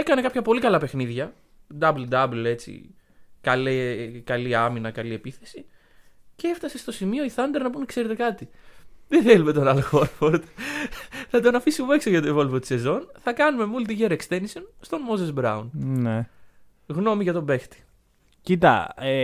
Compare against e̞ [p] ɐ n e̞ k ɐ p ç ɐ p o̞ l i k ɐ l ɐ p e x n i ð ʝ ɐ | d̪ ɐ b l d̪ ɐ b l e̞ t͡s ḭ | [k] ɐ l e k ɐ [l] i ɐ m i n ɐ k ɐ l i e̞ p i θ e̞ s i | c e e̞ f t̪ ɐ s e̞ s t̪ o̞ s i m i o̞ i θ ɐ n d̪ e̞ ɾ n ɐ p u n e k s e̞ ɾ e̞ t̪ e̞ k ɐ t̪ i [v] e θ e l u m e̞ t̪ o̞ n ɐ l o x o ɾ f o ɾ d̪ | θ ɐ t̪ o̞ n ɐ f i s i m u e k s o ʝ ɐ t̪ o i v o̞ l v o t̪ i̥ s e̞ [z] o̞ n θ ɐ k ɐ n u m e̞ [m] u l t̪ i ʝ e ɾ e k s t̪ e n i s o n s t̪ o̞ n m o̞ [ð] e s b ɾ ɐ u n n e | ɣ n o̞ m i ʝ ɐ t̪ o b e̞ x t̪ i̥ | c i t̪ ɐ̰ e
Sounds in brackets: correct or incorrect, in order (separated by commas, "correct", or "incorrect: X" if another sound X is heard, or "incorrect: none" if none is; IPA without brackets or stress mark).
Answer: incorrect: k, correct, correct, incorrect: ð, correct, correct, incorrect: z